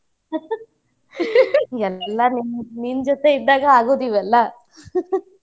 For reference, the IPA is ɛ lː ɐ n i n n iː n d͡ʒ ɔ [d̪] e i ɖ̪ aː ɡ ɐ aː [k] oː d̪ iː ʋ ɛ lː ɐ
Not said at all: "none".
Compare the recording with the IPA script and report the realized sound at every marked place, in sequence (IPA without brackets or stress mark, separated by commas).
t̪, ɡ